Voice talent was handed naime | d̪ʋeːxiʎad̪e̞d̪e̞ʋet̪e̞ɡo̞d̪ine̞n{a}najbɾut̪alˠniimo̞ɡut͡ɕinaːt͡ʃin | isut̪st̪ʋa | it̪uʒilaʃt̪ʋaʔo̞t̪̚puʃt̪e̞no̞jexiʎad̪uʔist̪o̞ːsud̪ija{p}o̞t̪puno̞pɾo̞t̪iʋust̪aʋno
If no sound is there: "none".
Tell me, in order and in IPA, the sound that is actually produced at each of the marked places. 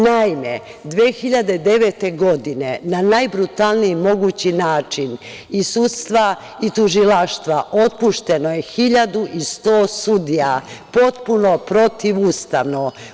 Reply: a, p

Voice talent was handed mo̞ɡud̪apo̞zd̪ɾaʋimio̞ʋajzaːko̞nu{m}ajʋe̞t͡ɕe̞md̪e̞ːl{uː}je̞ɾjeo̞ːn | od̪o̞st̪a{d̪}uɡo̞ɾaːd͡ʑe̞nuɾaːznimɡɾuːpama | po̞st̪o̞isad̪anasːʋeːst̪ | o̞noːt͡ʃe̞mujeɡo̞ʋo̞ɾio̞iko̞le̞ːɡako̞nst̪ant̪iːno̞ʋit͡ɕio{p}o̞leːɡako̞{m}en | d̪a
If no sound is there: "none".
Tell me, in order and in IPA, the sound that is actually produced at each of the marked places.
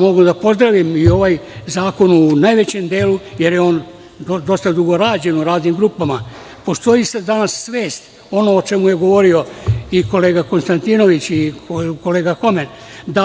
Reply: n, u, d̪, k, m

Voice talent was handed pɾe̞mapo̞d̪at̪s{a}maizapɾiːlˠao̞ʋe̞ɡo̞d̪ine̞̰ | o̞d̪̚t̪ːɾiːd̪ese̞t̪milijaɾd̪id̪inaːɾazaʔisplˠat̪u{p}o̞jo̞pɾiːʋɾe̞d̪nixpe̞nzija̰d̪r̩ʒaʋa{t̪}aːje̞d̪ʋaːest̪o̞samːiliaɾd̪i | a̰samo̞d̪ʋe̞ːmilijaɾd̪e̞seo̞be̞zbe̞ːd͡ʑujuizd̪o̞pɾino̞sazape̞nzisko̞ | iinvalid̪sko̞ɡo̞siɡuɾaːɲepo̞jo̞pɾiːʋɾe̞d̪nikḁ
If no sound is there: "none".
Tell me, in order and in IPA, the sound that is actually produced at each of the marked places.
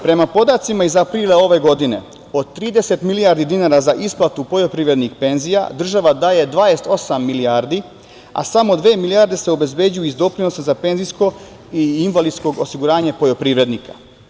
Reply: i, p, d̪

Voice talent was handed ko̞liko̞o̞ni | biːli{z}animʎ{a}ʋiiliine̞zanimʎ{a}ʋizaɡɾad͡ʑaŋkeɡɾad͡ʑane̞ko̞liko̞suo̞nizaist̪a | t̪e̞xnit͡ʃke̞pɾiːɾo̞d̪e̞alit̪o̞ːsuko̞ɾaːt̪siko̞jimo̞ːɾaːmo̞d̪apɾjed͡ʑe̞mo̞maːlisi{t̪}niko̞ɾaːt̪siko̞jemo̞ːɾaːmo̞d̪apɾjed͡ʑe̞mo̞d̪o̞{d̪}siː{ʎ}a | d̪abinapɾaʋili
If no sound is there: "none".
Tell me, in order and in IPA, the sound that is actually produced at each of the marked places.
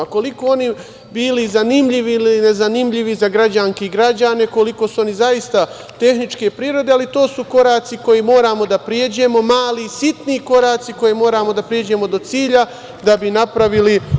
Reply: z, i, i, t̪, t̪, ʎ

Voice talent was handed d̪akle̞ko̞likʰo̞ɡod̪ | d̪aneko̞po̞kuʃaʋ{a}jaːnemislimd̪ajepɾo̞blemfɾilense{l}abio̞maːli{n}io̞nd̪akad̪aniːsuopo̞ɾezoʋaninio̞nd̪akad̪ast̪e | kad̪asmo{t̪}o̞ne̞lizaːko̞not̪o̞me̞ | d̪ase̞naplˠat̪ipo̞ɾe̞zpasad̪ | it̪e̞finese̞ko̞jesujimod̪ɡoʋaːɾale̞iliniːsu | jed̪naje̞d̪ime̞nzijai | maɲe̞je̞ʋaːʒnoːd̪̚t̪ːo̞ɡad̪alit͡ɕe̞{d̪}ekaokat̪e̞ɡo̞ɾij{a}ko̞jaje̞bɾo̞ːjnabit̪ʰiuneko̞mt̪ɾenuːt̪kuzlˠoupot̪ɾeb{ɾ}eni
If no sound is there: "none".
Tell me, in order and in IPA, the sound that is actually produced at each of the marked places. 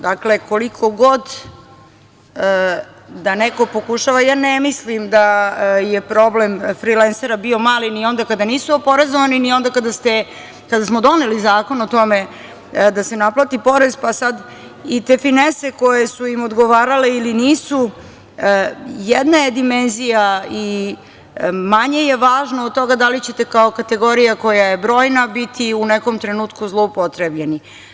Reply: a, ɾ, n, d̪, t̪, a, ʎ

